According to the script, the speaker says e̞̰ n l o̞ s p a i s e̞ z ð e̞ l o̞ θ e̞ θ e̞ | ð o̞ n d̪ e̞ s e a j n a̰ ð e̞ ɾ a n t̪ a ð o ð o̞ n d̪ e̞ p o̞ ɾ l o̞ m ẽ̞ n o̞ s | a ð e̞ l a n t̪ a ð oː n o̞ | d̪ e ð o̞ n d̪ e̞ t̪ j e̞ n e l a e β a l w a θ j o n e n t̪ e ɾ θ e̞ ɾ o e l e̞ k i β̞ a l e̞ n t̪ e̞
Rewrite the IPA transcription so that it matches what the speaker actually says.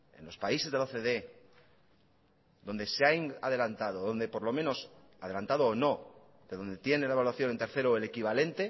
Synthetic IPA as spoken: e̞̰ n l o̞ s p a i s e̞ z ð e̞ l o̞ θ e̞ ð e̞ | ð o̞ n d̪ e̞ s e a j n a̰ ð e̞ l a n t̪ a ð o ð o̞ n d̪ e̞ p o̞ ɾ l o̞ m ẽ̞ n o̞ s | a ð e̞ l a n t̪ a ð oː n o̞ | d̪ e ð o̞ n d̪ e̞ t̪ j e̞ n e l a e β a l w a θ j o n e n t̪ e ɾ θ e̞ ɾ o e l e̞ k i β̞ a l e̞ n t̪ e̞